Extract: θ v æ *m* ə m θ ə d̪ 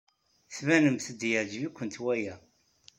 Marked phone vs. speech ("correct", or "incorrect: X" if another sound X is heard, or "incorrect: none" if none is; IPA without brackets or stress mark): incorrect: n